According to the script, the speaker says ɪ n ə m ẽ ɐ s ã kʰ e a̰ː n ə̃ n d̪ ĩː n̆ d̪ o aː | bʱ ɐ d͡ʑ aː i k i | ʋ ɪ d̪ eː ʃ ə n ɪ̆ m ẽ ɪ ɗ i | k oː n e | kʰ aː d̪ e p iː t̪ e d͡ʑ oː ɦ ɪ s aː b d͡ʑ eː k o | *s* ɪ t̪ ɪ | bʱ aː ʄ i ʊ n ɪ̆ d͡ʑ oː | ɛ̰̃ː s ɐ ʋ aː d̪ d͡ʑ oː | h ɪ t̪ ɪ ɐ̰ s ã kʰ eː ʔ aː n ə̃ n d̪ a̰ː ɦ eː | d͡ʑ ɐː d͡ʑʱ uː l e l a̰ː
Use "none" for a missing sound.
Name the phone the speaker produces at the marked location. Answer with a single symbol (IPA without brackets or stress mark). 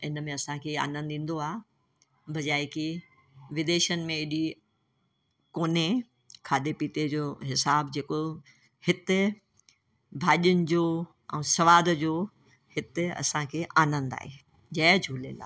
h